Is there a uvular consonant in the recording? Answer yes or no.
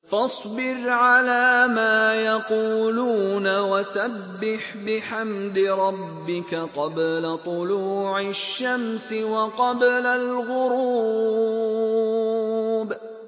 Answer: yes